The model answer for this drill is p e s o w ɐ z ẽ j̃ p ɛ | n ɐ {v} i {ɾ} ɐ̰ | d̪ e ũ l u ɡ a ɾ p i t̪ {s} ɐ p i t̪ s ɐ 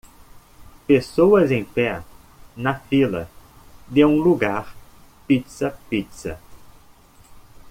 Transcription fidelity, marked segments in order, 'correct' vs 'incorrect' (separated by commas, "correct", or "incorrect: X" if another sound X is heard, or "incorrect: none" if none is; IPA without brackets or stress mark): incorrect: f, incorrect: l, correct